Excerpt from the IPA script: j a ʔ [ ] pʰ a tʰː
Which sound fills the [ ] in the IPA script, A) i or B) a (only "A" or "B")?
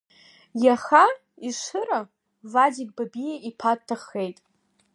A